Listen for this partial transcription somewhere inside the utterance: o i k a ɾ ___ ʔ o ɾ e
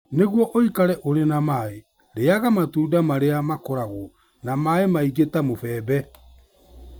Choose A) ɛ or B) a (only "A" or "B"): A